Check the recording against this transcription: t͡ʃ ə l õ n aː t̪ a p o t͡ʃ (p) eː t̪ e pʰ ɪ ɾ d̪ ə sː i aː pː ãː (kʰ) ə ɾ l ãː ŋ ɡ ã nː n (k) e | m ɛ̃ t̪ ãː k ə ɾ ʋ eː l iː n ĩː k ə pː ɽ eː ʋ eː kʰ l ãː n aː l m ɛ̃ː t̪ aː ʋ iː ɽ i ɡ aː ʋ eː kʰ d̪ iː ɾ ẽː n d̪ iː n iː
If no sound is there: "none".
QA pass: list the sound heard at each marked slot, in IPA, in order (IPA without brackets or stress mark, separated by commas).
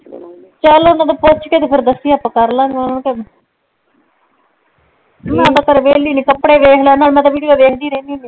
k, k, k